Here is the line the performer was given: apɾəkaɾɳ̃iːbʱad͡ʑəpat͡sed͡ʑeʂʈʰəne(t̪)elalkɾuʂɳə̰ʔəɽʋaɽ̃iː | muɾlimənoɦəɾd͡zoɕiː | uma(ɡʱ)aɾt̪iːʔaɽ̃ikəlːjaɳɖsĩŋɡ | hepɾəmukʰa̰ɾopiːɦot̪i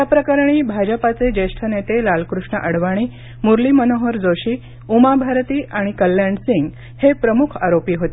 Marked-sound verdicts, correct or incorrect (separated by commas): correct, incorrect